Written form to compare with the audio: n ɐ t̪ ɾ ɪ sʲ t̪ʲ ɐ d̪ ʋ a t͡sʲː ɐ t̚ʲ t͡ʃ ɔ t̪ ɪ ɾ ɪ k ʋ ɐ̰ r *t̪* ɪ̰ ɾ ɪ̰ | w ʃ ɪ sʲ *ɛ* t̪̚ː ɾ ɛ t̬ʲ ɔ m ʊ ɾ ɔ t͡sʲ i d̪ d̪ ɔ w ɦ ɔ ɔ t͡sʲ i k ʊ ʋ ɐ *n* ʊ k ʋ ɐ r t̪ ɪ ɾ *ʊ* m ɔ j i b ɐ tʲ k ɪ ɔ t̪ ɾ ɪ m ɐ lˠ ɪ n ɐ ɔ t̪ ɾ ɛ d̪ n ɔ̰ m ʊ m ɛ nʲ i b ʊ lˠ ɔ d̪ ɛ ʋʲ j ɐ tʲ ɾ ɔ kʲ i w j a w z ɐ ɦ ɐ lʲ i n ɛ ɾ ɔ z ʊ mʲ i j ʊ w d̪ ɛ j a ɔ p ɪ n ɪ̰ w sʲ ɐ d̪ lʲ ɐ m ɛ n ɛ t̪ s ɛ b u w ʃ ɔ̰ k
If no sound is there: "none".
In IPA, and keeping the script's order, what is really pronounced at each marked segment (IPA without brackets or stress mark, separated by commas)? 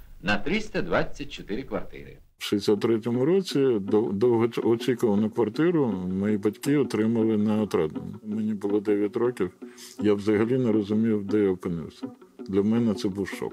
t̪, a, n, ʊ